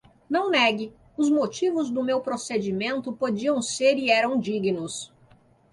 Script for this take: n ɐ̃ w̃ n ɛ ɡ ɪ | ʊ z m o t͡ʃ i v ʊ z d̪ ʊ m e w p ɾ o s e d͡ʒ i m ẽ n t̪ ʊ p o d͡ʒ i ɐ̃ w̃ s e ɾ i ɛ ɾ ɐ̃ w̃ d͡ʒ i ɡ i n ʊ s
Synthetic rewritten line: n ɐ̃ w̃ n ɛ ɡ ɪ | ʊ z m o t͡ʃ i v ʊ z d̪ ʊ m e w p ɾ o s e d͡ʒ i m ẽ n t̪ ʊ p o d͡ʒ i ɐ̃ w̃ s e ɾ i ɛ ɾ ɐ̃ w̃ d͡ʒ i ɡ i n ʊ s